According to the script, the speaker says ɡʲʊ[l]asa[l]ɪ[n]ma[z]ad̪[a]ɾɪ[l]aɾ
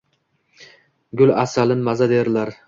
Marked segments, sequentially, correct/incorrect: correct, correct, correct, correct, incorrect: e, correct

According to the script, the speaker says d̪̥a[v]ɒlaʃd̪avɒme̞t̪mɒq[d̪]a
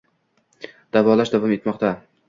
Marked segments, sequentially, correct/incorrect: correct, incorrect: t̪

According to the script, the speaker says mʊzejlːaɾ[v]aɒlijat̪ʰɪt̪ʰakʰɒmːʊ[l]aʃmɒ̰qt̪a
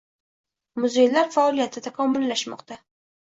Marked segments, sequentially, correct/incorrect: incorrect: f, incorrect: lː

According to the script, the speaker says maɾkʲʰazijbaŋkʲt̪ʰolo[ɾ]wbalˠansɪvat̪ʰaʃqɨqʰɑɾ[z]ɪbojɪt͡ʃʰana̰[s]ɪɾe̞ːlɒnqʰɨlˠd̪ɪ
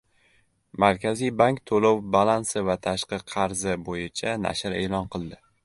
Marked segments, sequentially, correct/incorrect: incorrect: none, correct, incorrect: ʃ

